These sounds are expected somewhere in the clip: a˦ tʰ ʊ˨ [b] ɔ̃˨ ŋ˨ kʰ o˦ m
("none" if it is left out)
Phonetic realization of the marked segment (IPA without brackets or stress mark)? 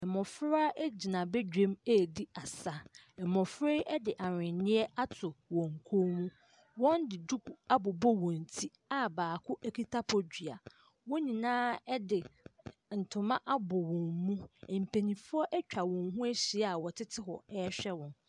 w